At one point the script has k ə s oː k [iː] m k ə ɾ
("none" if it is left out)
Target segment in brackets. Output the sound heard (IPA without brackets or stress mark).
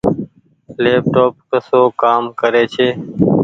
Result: aː